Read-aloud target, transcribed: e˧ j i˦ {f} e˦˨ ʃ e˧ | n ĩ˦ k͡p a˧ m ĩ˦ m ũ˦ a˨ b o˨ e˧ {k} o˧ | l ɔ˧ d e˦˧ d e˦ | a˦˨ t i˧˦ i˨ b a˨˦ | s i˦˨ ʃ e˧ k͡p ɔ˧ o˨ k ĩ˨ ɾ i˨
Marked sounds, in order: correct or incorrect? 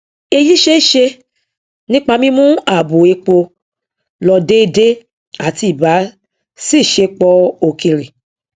incorrect, incorrect

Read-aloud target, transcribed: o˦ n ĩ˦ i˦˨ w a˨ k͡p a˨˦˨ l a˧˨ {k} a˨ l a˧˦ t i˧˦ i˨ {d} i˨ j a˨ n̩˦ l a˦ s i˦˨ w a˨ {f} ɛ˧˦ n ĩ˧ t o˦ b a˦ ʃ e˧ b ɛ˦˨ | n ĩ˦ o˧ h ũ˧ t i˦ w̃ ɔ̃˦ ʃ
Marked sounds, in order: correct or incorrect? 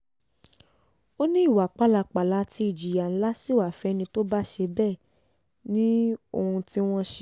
incorrect, incorrect, correct

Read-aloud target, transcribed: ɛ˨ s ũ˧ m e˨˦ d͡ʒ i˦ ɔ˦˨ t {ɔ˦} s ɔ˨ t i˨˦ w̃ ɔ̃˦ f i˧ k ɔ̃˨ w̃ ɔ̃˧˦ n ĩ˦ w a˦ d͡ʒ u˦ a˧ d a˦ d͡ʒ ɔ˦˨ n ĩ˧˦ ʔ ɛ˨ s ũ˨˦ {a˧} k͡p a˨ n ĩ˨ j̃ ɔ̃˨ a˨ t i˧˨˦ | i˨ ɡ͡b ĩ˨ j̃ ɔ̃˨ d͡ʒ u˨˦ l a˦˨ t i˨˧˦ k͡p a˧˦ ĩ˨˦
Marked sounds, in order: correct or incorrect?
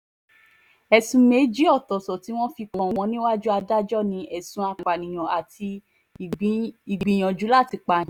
incorrect, correct

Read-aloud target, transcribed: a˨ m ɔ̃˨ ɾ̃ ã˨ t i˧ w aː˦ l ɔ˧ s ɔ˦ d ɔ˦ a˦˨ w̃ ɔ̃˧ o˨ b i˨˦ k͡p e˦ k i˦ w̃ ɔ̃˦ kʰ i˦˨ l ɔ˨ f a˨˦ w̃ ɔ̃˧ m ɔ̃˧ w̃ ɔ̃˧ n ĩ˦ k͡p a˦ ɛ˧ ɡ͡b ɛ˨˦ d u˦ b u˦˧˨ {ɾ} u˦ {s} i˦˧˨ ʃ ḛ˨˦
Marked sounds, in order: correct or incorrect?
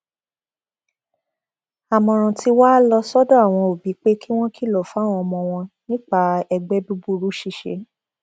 correct, incorrect

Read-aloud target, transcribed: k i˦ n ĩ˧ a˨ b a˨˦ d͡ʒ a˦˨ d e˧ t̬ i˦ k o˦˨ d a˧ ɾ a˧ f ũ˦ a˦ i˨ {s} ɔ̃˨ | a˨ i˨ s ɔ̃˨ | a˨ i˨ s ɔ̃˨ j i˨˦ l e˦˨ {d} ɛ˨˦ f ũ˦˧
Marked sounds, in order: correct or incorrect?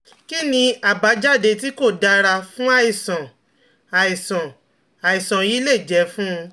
correct, incorrect

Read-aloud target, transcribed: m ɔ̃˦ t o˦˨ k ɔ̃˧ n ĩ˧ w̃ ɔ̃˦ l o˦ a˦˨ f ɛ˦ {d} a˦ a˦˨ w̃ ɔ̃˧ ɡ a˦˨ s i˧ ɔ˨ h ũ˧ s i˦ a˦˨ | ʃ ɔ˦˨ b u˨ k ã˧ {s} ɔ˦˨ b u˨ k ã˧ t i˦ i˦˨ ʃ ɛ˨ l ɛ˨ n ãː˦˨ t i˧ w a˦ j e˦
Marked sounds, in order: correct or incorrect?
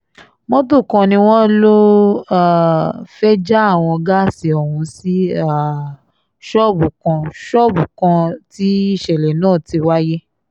incorrect, incorrect

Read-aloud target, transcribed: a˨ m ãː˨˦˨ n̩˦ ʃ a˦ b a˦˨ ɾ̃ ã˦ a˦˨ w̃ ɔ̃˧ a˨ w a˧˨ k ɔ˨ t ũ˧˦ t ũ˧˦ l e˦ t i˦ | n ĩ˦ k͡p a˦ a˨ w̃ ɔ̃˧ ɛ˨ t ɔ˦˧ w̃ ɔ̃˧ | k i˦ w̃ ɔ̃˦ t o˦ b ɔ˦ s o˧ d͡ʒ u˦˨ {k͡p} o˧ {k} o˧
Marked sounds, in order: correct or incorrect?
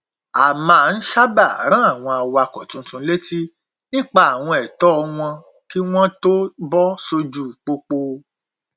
correct, incorrect

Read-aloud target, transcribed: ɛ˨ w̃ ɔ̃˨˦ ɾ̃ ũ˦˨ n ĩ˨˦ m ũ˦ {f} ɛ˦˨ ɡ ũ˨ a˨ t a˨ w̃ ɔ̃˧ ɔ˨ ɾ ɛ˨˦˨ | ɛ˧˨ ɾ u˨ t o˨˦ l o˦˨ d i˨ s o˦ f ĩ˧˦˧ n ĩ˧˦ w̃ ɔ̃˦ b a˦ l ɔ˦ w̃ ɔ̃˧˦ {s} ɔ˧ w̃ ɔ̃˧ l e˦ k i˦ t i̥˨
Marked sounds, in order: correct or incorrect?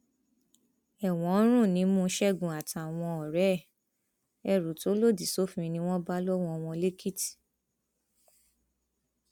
incorrect, incorrect

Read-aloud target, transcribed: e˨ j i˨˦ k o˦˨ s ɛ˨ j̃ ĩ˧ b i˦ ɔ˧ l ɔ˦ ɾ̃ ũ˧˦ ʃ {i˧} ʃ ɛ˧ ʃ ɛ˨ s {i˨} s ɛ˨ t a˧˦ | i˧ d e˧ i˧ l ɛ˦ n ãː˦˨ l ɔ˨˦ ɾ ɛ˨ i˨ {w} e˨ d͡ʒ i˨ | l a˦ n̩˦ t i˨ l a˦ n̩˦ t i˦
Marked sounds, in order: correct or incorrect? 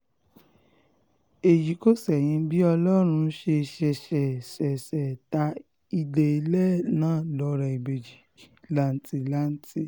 incorrect, incorrect, incorrect

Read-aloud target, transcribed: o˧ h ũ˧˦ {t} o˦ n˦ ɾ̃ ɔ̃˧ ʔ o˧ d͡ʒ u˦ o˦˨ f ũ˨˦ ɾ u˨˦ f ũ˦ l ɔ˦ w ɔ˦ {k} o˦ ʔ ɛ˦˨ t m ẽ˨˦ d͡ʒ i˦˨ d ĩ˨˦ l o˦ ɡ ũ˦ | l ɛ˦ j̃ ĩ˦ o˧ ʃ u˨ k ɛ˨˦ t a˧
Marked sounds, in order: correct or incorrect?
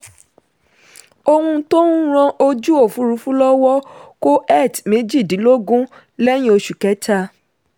correct, correct

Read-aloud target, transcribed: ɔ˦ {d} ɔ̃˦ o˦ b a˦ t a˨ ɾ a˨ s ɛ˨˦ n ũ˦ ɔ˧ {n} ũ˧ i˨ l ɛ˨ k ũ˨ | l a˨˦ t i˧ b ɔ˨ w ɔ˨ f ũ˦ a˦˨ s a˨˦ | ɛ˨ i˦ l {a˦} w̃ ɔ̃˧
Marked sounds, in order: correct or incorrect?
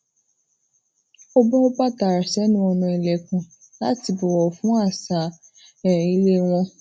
incorrect, correct, incorrect

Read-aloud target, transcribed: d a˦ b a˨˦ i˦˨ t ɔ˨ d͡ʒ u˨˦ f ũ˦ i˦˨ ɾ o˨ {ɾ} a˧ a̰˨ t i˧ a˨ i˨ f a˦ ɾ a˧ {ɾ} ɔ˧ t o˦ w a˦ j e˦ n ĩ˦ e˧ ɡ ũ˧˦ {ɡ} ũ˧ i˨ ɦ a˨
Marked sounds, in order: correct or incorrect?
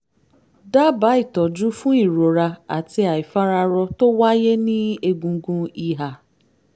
correct, correct, correct

